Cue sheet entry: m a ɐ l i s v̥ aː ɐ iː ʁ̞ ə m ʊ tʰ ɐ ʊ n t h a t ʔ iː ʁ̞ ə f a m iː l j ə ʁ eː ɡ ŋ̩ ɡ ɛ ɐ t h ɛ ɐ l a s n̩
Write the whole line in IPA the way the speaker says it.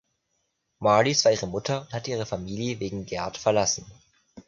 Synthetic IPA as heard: m a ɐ l i s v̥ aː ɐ iː ʁ̞ ə m ʊ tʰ ɐ ʊ n t h a t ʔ iː ʁ̞ ə f a m iː l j ə v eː ɡ ŋ̩ ɡ ɛ ɐ t f ɛ ɐ l a s n̩